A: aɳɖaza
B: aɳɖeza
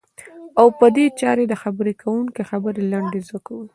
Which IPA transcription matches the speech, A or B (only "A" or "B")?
B